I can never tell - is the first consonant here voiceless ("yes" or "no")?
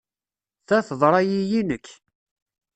yes